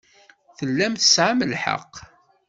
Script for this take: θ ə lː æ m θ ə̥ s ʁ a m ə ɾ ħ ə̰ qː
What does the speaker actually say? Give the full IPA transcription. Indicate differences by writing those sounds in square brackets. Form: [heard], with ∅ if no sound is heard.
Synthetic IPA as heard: θ ə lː æ m θ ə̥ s [ʕ] a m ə [l] ħ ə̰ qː